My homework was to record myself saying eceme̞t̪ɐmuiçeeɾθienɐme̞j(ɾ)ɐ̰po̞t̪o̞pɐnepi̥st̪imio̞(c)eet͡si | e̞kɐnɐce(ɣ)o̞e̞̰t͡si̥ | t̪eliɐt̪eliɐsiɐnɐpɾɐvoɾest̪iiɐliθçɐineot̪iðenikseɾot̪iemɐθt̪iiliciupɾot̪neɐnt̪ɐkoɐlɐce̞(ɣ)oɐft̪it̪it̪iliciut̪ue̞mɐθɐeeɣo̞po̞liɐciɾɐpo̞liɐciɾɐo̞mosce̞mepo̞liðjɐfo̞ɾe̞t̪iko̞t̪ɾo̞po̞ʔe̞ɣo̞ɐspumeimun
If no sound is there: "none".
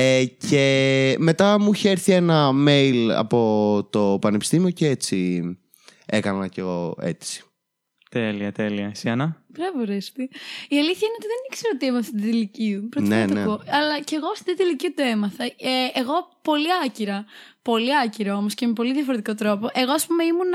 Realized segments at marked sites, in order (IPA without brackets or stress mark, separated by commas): l, c, ɣ, ɣ